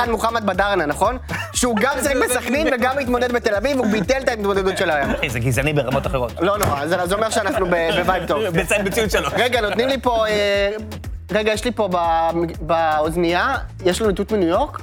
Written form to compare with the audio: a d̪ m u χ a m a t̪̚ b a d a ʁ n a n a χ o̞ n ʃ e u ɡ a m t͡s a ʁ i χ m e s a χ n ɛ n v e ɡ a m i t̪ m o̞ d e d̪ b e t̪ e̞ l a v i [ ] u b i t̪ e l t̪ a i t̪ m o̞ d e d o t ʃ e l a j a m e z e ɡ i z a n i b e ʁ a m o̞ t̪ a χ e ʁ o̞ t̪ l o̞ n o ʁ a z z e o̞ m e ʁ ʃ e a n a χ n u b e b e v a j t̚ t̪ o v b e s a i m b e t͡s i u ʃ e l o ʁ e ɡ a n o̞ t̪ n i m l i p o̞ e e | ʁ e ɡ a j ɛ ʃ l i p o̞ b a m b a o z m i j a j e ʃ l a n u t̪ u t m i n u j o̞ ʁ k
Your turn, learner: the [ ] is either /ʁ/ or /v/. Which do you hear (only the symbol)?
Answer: v